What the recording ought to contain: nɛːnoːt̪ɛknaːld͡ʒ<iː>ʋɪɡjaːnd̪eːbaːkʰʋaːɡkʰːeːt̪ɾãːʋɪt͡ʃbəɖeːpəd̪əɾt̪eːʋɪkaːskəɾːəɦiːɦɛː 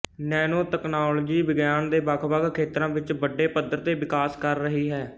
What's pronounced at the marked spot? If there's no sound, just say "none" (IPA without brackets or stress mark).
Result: iː